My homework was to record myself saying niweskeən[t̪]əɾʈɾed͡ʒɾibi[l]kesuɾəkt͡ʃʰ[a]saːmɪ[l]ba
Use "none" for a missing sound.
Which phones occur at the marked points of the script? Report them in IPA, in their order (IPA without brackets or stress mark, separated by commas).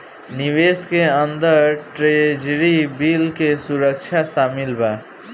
d̪, l, a, l